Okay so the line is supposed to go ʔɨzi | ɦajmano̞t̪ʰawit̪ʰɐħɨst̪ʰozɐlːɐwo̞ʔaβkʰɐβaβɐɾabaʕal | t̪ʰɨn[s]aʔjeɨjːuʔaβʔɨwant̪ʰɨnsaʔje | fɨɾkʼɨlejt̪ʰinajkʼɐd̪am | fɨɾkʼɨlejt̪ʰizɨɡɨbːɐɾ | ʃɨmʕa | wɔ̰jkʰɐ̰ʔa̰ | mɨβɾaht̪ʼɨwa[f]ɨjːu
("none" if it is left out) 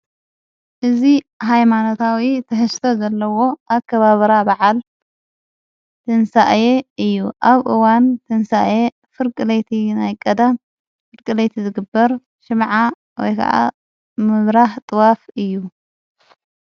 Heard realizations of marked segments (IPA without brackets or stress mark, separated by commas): s, f